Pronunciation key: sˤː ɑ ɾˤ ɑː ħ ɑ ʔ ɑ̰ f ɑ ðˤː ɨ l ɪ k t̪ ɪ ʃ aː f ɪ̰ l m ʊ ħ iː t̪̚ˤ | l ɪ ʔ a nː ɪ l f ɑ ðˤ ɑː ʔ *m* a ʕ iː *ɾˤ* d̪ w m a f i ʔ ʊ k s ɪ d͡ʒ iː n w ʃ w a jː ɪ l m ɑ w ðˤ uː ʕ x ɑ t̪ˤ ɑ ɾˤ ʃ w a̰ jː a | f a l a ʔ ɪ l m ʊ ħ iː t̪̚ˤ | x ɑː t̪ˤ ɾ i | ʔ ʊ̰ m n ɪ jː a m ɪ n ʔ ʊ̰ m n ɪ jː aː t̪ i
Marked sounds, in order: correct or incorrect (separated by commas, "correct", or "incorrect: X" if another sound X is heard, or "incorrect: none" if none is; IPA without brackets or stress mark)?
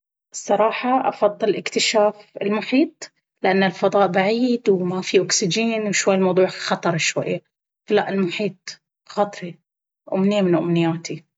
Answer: incorrect: b, incorrect: none